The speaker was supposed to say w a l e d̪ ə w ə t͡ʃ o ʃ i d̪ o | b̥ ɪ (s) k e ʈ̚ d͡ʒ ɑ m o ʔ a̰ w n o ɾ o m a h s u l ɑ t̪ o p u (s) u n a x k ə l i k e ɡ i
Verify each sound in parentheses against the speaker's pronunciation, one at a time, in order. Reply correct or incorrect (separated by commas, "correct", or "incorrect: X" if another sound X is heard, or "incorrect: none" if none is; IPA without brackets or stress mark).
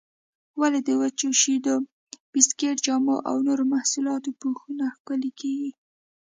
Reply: correct, incorrect: x